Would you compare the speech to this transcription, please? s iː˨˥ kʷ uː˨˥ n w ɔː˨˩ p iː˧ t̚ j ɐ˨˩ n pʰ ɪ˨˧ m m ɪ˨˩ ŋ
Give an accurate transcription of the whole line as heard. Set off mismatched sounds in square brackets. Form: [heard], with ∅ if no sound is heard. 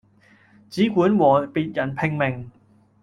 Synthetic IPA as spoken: [t͡s] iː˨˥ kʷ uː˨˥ n w ɔː˨˩ p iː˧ t̚ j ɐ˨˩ n pʰ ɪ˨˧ [ŋ] m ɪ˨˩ ŋ